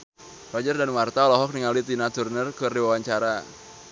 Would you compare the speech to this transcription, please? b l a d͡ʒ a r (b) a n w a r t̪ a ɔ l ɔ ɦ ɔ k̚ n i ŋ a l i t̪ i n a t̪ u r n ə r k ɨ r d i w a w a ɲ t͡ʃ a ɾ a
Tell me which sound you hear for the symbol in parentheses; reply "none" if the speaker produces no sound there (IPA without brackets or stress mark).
d